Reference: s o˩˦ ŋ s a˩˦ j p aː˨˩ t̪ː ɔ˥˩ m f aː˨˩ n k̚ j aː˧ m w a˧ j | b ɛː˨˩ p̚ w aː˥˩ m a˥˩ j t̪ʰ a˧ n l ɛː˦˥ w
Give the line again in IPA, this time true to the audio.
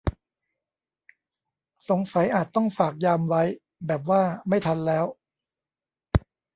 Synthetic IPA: s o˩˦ ŋ s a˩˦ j ʔ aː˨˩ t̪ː ɔ˥˩ ŋ f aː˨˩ k̚ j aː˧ m w a˦˥ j | b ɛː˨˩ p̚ w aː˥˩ m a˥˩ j t̪ʰ a˧ n l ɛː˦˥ w